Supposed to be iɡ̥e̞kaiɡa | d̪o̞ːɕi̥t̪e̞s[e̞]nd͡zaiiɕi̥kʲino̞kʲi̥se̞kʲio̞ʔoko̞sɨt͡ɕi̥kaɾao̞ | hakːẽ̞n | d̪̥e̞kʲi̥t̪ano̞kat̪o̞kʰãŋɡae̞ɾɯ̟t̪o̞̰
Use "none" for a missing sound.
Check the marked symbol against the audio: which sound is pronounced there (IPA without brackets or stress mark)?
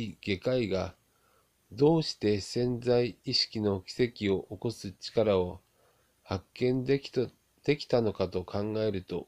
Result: ẽ̞